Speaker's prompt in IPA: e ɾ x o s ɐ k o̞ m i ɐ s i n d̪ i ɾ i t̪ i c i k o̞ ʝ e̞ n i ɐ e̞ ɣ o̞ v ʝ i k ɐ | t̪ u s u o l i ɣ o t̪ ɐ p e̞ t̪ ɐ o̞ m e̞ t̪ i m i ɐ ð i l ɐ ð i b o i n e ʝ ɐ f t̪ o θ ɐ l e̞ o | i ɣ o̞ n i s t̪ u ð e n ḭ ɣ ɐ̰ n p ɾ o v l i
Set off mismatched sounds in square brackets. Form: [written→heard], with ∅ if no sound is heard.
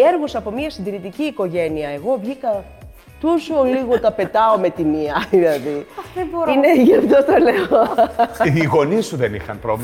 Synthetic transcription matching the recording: e ɾ [x→ɣ] o s ɐ [k→p] o̞ m i ɐ s i n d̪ i ɾ i t̪ i c [i→iː] k o̞ ʝ e̞ n i ɐ e̞ ɣ o̞ v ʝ i k ɐ | t̪ u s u o l i ɣ o t̪ ɐ p e̞ t̪ ɐ o̞ m e̞ t̪ i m i ɐ ð i l ɐ ð i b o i n e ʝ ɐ f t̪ o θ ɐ l e̞ o | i ɣ o̞ n i s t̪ u ð e n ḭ [ɣ→x] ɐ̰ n p ɾ o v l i